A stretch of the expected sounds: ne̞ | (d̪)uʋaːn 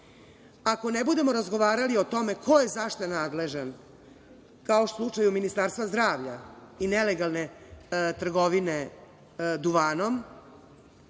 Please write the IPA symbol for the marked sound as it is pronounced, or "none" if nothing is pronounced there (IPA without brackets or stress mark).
d̪